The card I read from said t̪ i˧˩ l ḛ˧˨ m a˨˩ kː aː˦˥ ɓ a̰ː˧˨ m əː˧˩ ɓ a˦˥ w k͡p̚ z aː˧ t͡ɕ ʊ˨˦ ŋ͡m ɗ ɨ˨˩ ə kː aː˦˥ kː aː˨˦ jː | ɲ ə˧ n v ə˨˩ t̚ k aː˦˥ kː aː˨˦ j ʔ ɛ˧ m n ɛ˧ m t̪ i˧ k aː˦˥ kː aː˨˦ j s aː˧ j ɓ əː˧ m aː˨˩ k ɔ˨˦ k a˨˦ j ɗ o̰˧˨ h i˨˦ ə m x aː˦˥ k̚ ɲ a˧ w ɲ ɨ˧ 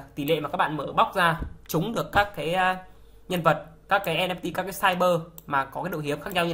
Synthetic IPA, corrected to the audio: t̪ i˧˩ l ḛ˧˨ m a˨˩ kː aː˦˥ ɓ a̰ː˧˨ m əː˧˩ ɓ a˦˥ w k͡p̚ z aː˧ t͡ɕ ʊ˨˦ ŋ͡m ɗ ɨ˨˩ ə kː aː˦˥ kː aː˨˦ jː | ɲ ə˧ n v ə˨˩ t̚ k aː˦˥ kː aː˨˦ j ʔ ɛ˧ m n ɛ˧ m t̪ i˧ k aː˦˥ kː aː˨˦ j s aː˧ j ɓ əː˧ m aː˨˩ k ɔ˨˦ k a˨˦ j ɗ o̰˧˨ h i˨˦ ə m x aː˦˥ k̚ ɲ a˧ w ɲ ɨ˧